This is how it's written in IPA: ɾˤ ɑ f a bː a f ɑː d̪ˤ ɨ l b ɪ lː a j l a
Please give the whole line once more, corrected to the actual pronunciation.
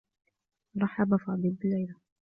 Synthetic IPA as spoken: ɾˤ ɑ ħ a b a f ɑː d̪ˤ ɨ l b ɪ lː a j l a